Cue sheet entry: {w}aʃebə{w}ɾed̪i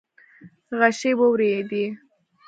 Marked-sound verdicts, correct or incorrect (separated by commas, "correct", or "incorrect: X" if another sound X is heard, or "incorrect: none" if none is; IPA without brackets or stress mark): incorrect: ɣ, correct